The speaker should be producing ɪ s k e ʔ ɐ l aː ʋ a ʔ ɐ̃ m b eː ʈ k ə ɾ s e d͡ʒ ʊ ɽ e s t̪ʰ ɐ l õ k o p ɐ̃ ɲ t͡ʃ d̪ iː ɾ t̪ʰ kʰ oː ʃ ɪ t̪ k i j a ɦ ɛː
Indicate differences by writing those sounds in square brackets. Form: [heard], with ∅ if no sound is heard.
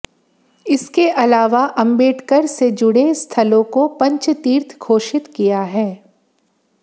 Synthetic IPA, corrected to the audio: ɪ s k e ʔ ɐ l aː ʋ a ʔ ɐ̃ m b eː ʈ k ə ɾ s e d͡ʒ ʊ ɽ e s t̪ʰ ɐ l õ k o p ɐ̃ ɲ t͡ʃ [t̪] iː ɾ t̪ʰ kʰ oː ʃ ɪ t̪ k i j a ɦ ɛː